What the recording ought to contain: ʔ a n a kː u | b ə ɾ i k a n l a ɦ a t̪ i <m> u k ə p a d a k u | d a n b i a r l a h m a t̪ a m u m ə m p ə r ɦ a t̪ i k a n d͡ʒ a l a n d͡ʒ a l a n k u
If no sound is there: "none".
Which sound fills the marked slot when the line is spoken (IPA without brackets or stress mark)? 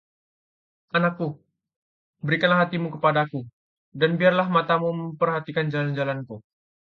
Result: m